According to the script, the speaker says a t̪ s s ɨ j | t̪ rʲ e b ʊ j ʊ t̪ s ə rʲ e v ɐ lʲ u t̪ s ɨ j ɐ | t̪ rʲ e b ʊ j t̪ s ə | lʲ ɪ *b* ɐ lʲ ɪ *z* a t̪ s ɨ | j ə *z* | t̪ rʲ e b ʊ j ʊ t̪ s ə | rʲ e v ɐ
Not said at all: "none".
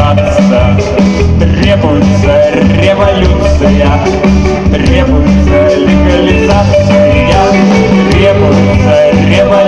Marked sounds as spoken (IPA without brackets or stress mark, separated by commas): ɡ, z, none